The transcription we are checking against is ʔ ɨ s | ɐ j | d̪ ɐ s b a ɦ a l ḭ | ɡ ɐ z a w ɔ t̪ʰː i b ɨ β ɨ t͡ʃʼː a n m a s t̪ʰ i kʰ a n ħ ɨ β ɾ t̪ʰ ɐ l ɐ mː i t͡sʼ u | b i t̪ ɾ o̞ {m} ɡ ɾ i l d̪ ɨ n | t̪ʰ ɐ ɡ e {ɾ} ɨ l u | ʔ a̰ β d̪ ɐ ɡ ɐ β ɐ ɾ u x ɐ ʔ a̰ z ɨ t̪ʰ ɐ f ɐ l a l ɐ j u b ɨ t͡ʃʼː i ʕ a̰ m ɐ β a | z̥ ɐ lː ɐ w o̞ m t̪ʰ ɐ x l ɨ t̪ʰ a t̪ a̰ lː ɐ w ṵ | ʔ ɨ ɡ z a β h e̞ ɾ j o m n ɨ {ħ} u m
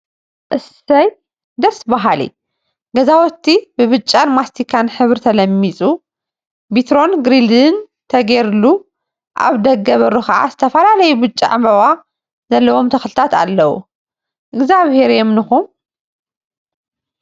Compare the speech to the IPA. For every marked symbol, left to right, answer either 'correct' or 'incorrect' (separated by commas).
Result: incorrect, correct, incorrect